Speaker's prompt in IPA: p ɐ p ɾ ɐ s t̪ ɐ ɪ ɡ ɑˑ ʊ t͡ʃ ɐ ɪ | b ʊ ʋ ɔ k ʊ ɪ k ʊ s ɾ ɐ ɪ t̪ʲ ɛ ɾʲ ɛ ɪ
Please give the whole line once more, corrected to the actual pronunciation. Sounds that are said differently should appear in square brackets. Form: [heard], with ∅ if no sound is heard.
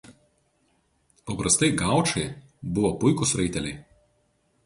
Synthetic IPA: p ɐ p ɾ ɐ s t̪ ɐ ɪ ɡ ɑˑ ʊ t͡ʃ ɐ ɪ | b ʊ ʋ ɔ [p] ʊ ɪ k ʊ s ɾ ɐ ɪ t̪ʲ ɛ [lʲ] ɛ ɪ